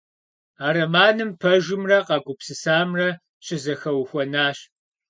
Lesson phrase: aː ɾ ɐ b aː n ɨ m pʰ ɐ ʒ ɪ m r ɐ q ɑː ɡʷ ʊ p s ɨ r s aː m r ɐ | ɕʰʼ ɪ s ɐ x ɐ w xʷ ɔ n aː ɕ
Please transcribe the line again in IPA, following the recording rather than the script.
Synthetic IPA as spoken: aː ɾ ɐ m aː n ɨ m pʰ ɐ ʒ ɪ m r ɐ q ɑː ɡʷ ʊ p s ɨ s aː m r ɐ | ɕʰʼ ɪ z ɐ x ɐ w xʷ ɔ n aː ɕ

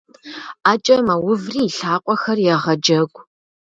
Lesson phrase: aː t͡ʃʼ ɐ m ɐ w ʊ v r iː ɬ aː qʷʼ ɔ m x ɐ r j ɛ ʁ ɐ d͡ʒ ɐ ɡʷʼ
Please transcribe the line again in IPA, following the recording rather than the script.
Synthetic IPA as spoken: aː t͡ʃʼ ɐ m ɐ w ʊ v r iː ɬ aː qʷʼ ɔ x ɐ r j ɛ ʁ ɐ d͡ʒ ɐ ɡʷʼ

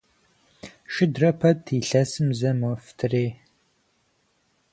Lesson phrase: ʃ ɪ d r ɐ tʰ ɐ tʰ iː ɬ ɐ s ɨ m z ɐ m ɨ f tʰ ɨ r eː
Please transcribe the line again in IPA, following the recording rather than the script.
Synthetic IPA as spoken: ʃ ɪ d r ɐ pʰ ɐ tʰ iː ɬ ɐ s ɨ m z ɐ m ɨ f tʰ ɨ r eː

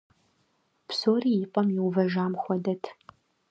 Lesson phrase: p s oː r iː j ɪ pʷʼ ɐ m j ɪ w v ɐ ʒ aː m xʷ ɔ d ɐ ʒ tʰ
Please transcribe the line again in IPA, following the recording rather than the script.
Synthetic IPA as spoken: p s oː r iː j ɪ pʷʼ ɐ m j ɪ w v ɐ ʒ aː m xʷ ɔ d ɐ tʰ

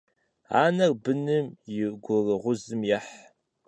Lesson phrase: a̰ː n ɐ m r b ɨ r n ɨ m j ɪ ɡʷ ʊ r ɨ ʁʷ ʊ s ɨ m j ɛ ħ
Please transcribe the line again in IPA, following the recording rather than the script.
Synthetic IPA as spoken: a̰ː n ɐ r b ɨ n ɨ m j ɪ ɡʷ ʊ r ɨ ʁʷ ʊ z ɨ m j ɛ ħ

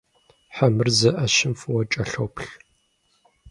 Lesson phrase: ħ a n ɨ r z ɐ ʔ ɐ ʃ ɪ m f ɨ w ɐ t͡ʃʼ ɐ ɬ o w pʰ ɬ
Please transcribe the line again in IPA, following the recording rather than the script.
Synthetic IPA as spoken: ħ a m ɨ r z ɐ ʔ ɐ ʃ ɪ m f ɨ w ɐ t͡ʃʼ ɐ ɬ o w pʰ ɬ

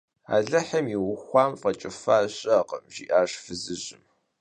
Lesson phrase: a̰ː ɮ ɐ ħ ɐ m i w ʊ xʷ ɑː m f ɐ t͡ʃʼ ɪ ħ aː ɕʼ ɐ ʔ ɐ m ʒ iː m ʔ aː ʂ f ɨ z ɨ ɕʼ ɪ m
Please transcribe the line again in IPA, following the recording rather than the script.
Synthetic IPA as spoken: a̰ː ɮ ɐ ħ ɐ m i w ʊ xʷ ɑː m f ɐ t͡ʃʼ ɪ f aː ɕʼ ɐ q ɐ m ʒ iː ʔ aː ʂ f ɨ z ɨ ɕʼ ɪ m

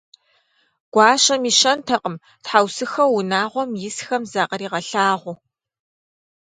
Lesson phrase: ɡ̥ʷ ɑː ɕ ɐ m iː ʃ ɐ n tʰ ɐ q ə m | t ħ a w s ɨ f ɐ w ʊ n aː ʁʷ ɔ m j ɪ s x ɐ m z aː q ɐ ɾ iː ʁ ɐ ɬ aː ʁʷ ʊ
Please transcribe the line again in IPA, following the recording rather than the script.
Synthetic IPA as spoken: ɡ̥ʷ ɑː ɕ ɐ m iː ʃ ɐ n tʰ ɐ q ə m | t ħ a w s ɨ x ɐ w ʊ n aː ʁʷ ɔ m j ɪ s x ɐ m z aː q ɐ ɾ iː ʁ ɐ ɬ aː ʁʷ ʊ

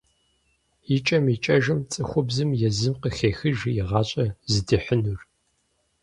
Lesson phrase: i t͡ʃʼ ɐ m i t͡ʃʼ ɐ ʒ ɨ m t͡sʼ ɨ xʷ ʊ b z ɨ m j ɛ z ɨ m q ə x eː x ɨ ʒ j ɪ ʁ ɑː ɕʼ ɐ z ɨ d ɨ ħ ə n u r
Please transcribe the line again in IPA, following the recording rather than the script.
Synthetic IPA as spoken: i t͡ʃʼ ɐ m i t͡ʃʼ ɐ ʒ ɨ m t͡sʼ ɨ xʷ ʊ b z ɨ m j ɛ z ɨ m q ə x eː x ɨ ʒ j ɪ ʁ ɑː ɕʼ ɐ z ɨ d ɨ ħ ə n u r

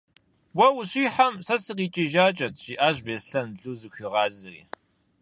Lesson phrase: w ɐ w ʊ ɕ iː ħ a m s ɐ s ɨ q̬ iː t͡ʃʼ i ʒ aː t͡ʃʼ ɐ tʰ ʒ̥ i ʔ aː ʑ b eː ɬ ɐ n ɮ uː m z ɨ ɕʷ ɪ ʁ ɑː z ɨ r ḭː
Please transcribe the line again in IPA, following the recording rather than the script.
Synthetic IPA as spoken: w ɐ w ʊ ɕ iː ħ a m s ɐ s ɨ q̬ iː t͡ʃʼ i ʒ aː t͡ʃʼ ɐ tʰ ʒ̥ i ʔ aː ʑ b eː ɬ ɐ n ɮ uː z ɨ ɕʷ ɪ ʁ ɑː z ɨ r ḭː

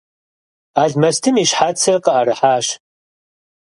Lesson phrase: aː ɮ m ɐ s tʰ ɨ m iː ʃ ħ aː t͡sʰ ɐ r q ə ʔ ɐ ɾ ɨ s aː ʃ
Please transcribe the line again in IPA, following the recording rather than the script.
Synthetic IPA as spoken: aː ɮ m ɐ s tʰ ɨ m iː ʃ ħ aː t͡sʰ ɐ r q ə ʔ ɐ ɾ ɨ ħ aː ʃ

